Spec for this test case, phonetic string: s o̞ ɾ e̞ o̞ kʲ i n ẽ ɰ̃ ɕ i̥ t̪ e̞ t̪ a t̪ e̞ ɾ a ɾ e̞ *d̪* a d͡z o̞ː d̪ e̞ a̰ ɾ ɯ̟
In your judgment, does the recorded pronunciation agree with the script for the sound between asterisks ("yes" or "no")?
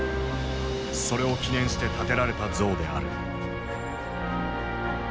no